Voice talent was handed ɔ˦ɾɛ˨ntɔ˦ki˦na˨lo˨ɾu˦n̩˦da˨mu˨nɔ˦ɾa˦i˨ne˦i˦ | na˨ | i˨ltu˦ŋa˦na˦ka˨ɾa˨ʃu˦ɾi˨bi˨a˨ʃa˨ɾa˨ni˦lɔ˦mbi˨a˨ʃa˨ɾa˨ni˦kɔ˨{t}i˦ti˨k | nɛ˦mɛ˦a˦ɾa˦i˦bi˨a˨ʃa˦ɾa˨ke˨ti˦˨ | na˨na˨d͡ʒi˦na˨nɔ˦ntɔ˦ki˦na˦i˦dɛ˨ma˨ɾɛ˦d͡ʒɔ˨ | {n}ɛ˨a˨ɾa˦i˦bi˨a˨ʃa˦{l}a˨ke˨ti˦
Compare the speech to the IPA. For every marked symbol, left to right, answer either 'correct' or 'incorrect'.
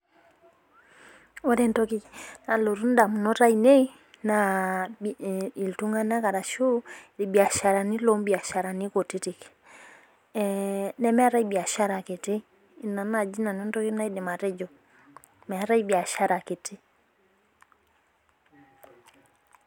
correct, incorrect, incorrect

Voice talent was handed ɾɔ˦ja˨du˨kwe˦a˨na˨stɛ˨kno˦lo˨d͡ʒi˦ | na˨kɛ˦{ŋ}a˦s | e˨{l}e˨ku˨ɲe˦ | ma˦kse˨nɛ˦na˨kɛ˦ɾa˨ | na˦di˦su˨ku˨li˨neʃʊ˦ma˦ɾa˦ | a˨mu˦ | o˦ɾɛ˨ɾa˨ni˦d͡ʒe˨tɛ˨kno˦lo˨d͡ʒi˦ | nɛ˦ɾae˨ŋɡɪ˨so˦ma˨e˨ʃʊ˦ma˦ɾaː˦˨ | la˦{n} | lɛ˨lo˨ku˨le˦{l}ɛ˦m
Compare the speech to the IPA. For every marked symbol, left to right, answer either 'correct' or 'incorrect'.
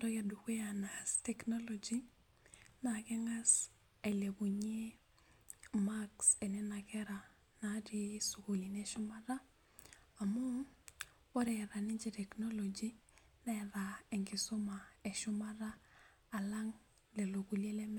correct, correct, incorrect, correct

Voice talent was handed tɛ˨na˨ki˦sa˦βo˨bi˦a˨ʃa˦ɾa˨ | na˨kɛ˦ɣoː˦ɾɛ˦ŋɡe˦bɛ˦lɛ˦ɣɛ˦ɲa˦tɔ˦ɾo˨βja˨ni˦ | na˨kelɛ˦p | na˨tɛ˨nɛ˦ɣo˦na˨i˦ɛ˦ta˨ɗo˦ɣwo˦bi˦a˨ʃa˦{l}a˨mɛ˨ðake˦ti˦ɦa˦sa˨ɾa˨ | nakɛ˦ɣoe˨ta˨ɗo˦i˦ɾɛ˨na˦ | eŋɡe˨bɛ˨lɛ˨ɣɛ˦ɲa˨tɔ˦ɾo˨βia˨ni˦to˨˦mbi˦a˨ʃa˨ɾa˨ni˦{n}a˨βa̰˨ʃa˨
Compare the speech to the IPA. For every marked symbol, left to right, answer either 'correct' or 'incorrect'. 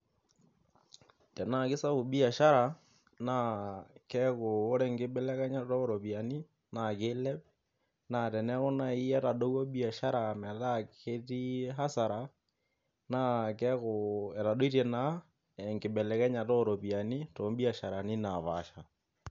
incorrect, correct

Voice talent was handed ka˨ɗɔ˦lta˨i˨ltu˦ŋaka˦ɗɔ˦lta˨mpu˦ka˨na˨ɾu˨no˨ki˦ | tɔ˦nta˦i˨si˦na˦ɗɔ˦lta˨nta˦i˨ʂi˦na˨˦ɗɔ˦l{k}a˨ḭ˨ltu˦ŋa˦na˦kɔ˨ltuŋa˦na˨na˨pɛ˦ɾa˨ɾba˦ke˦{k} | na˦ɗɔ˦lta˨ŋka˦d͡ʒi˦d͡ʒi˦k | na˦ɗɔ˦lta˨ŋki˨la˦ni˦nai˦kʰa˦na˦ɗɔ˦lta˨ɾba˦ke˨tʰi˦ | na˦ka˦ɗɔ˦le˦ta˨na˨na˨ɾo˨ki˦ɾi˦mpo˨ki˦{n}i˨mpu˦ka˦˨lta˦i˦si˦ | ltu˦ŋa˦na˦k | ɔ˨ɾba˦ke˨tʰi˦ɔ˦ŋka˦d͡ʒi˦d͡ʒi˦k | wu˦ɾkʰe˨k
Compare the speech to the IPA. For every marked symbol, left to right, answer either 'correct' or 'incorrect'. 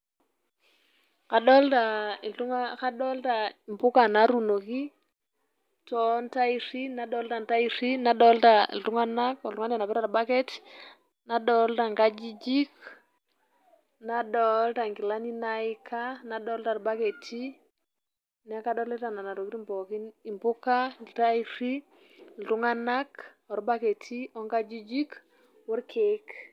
incorrect, incorrect, correct

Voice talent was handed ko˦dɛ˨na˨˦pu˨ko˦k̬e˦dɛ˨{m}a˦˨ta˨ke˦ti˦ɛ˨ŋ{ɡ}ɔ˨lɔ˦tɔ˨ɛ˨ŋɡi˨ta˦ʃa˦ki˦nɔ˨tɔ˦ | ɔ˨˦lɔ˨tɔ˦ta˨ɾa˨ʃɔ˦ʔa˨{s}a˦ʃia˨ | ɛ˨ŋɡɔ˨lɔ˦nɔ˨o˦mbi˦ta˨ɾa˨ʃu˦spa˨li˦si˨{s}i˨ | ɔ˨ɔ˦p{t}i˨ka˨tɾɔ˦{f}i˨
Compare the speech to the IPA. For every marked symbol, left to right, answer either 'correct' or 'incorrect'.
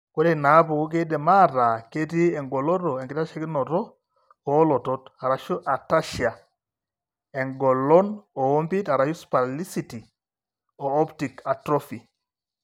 correct, correct, incorrect, incorrect, correct, correct

